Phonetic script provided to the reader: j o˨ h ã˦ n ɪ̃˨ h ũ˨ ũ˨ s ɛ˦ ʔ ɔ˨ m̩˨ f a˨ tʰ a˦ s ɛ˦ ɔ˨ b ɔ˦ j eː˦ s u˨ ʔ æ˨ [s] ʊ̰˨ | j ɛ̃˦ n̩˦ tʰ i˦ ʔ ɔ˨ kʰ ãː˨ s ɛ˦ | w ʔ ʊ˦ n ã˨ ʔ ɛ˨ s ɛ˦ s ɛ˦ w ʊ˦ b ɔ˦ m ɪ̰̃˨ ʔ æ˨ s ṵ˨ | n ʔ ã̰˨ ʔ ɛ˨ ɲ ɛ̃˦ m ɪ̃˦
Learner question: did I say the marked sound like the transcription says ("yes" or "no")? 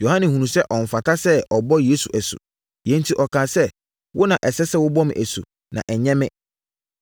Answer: yes